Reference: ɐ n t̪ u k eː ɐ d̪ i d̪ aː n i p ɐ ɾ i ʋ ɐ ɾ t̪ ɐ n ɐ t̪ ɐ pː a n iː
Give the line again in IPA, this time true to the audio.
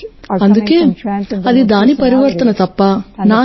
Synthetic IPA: ɐ n d̪ u k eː ɐ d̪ i d̪ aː n i p ɐ ɾ i ʋ ɐ ɾ t̪ ɐ n ɐ t̪ ɐ pː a n aː